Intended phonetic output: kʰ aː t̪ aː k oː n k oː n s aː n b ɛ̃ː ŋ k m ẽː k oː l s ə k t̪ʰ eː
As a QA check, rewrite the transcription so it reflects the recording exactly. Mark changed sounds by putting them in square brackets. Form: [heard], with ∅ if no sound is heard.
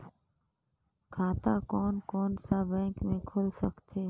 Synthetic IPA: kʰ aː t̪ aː k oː n k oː n s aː [∅] b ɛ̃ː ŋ k m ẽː [kʰ] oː l s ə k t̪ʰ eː